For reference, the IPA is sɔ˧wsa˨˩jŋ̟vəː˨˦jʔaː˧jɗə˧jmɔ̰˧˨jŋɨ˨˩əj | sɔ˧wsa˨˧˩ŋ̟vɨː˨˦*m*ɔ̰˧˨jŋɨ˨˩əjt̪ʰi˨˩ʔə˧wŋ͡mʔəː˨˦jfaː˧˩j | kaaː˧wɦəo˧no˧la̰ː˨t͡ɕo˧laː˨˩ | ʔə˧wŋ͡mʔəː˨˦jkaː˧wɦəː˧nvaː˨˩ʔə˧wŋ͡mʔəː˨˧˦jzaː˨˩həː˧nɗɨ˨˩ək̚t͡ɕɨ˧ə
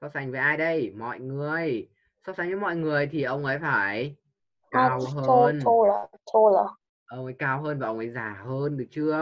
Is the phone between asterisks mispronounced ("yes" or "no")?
no